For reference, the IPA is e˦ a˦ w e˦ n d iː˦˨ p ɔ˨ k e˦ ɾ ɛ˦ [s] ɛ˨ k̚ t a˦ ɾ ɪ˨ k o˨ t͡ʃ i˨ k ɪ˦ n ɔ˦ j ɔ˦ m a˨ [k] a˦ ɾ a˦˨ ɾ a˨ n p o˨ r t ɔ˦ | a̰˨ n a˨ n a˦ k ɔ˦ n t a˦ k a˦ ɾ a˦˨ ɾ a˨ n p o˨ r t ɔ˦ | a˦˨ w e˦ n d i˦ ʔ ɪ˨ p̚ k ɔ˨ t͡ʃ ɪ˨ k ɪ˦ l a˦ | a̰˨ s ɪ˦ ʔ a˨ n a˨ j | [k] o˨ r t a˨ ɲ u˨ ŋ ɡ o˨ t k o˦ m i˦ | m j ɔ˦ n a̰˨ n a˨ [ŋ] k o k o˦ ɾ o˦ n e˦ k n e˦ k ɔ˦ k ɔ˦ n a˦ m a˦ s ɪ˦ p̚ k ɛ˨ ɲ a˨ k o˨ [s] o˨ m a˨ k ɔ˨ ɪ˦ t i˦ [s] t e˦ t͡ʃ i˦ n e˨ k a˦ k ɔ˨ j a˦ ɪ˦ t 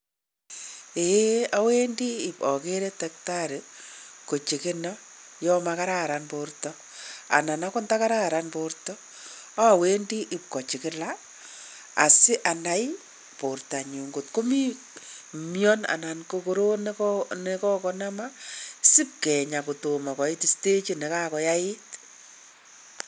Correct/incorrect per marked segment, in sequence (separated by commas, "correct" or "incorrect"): incorrect, correct, incorrect, incorrect, incorrect, correct